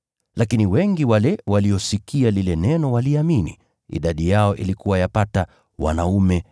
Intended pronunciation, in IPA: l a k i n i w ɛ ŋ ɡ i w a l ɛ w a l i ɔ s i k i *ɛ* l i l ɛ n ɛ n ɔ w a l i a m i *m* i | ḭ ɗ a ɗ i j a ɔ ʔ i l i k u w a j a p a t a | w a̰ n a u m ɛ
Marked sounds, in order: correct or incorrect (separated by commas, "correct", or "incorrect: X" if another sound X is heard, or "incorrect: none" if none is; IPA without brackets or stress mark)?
incorrect: a, incorrect: n